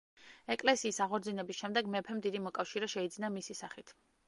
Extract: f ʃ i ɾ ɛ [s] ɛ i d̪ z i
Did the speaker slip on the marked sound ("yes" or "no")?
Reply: yes